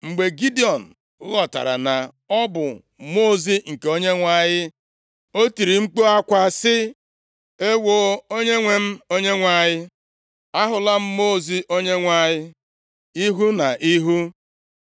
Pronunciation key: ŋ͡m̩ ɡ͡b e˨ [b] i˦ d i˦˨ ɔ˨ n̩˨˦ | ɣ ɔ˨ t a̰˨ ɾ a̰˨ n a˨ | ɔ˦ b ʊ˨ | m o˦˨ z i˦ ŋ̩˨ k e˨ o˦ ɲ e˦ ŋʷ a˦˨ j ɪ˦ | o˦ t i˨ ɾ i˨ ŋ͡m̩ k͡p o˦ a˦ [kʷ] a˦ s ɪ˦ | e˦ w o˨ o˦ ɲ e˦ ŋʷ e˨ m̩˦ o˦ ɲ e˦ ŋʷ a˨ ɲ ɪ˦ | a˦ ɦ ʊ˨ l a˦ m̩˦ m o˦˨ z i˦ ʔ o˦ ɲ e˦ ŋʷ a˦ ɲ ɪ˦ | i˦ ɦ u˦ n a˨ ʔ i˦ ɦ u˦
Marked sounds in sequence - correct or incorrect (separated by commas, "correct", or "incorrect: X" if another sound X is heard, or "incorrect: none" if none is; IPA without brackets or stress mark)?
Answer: incorrect: ɡ, correct